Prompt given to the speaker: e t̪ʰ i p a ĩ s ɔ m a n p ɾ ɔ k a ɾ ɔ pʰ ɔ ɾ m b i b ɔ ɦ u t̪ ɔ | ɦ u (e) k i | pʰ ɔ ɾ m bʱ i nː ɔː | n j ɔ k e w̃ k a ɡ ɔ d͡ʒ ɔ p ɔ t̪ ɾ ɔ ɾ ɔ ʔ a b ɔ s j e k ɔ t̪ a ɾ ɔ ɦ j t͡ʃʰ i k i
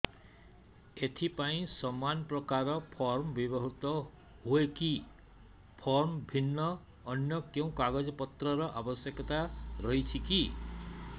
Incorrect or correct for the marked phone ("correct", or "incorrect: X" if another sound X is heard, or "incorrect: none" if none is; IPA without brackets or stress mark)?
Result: correct